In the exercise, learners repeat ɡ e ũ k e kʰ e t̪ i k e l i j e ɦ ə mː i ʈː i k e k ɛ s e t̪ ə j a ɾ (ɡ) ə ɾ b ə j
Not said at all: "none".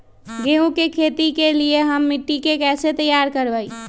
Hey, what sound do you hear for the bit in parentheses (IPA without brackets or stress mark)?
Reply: k